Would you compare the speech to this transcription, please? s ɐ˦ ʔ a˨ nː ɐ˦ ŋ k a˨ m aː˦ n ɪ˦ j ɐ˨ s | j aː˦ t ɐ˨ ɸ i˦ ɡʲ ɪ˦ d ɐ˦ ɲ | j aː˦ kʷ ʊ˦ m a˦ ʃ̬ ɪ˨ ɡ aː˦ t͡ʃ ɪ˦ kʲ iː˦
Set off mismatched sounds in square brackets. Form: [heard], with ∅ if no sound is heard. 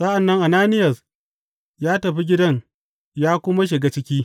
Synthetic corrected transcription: s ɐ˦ ʔ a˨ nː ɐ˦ ŋ [ʔ] a˨ [n] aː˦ n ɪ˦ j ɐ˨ s | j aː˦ t ɐ˨ ɸ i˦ ɡʲ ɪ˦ d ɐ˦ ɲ | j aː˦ kʷ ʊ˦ m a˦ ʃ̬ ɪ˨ ɡ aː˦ t͡ʃ ɪ˦ kʲ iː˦